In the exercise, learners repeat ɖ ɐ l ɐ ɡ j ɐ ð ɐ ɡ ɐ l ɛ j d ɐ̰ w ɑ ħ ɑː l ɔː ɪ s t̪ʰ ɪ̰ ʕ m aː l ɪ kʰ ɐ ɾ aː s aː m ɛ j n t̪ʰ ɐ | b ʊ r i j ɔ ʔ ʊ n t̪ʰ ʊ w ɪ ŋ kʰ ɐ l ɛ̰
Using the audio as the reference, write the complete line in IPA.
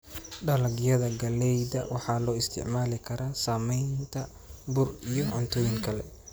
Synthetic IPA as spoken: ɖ ɐ l ɐ ɡ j ɐ ð ɐ ɡ ɐ l ɛ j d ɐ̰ w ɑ ħ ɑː l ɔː ɪ s t̪ʰ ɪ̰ ʕ m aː l ɪ kʰ ɐ ɾ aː s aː m ɛ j n t̪ʰ ɐ | b ʊ r i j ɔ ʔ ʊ n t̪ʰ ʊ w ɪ ŋ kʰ ɐ l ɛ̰